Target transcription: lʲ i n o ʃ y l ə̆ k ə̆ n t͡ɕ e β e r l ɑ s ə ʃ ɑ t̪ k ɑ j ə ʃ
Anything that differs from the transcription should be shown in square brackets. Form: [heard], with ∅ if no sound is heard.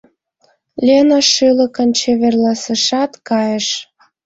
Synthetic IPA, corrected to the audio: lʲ [e] n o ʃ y l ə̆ k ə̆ n t͡ɕ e β e r l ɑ s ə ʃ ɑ t̪ k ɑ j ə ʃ